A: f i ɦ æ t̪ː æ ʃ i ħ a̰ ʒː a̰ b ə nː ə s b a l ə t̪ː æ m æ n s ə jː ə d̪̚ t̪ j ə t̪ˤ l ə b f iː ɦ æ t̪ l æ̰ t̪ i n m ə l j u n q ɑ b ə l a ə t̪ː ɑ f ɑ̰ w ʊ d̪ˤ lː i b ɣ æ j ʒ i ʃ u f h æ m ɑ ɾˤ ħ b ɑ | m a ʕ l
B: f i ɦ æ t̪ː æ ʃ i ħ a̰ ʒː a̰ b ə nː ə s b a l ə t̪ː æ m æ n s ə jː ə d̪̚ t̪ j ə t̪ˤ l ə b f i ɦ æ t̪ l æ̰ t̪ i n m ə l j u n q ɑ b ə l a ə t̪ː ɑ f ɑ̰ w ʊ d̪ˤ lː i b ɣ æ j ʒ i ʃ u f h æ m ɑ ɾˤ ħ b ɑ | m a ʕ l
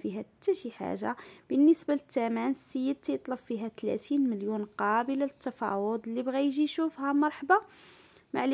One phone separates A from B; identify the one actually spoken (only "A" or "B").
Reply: B